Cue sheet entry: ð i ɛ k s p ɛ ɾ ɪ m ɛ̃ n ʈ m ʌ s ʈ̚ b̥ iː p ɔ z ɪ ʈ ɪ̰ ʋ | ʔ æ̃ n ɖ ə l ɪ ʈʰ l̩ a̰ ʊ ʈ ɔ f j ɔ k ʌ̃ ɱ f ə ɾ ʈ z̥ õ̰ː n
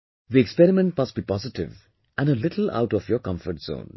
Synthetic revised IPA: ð i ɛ k s p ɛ ɾ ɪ m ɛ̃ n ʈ m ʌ s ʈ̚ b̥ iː p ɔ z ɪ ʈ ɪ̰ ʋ | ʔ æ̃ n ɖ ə l ɪ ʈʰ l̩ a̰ ʊ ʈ ɔ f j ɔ k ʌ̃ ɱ f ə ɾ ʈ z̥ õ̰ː n